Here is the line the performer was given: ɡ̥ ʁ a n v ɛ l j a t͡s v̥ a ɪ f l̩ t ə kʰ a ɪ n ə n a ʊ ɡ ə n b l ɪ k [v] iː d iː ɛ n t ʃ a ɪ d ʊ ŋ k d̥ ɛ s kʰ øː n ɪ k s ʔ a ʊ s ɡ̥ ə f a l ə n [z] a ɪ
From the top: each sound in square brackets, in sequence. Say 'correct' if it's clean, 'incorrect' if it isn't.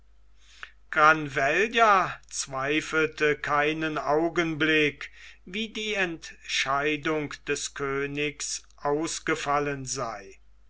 correct, correct

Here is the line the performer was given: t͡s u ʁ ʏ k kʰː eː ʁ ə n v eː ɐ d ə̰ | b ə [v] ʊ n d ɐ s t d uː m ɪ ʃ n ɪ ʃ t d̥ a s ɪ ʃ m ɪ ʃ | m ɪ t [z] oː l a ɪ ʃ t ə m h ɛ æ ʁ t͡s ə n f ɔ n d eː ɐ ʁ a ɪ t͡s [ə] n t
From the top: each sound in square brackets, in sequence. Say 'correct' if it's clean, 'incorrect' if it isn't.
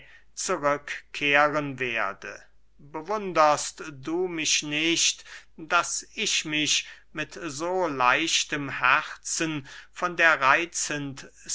correct, correct, correct

